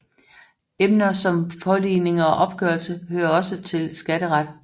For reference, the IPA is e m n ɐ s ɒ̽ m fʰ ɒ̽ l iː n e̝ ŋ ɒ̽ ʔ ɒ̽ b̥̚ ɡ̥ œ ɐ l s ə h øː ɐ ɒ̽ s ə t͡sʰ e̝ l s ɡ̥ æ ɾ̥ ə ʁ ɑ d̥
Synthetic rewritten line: e m n ɐ s ɒ̽ m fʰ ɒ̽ l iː n e̝ ŋ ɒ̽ ʔ ɒ̽ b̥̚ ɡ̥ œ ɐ l s ə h øː ɐ ɒ̽ s ə t͡sʰ e̝ l s ɡ̥ æ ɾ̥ ə ʁ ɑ d̥